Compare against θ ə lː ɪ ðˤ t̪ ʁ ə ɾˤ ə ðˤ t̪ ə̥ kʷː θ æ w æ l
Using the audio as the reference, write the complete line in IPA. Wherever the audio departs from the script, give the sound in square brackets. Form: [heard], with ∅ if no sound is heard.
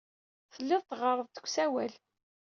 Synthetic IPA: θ ə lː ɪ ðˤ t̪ ʁ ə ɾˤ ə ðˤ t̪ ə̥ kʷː [s] æ w æ l

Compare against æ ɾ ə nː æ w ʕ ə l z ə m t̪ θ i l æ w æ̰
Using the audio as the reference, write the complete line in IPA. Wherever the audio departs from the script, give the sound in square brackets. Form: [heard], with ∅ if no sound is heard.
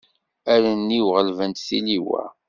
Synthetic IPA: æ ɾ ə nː [i] w [ʁ] ə l [v] ə [n] t̪ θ i l [i] w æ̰

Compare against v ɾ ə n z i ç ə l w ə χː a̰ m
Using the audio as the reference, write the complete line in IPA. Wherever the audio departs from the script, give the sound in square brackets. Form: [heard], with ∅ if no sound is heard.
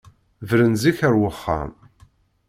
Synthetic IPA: v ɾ ə n z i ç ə [ɾ] w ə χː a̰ m

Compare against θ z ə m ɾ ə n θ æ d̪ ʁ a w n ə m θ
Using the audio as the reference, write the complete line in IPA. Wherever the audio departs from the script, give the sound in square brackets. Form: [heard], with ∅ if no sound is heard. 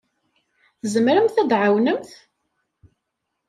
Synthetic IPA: θ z ə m ɾ ə [m] θ æ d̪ [ʕ] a w n ə m θ

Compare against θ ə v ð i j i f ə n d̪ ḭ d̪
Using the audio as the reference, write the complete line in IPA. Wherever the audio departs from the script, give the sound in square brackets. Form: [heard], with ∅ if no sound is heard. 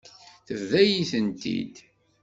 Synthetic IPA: θ ə v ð [æ] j i [θ] ə n [t̪] ḭ d̪

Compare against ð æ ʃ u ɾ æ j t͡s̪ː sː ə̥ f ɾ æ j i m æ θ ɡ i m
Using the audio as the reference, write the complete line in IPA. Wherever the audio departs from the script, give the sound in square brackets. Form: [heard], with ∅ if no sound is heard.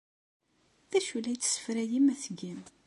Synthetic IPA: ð æ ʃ u [l] æ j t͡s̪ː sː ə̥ f ɾ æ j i m æ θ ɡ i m

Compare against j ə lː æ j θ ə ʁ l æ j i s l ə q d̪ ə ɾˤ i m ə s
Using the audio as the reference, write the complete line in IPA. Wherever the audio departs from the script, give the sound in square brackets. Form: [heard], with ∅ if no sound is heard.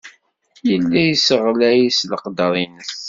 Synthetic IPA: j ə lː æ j [s] ə ʁ l æ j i s l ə q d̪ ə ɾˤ i [n] ə s

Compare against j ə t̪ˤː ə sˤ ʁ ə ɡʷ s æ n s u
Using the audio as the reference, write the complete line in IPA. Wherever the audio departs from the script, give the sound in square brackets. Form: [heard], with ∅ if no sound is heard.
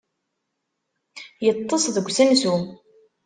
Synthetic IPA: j ə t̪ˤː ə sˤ [ð] ə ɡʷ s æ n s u

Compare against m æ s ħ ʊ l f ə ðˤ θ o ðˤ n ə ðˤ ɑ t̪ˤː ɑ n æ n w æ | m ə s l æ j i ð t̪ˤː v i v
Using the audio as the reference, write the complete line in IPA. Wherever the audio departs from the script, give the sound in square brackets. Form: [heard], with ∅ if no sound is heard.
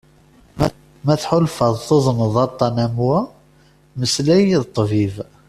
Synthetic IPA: m æ [θ] ħ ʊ l f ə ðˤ θ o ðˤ n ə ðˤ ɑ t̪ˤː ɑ n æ [m] w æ | m ə s l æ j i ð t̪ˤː v i v

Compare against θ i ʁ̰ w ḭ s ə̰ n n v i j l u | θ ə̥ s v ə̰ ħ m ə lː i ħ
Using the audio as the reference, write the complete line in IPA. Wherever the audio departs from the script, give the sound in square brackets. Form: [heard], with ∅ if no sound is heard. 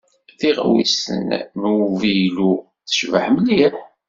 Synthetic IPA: θ i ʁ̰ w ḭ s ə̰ n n v i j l u | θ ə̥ [ʃ] v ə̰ ħ m ə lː i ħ

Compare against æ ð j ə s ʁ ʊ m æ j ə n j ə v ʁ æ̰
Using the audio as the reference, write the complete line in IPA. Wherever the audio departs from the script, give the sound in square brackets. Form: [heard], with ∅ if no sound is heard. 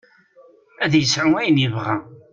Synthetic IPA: æ ð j ə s [ʕ] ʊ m æ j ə n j ə v ʁ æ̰

